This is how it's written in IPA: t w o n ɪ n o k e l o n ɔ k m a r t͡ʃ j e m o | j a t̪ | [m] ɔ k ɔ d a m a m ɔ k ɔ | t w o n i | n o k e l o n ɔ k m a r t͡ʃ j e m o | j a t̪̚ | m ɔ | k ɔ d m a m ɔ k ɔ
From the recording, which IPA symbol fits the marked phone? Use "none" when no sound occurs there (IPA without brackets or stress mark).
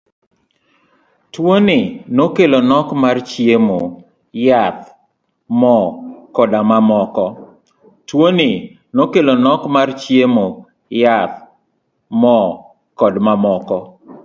m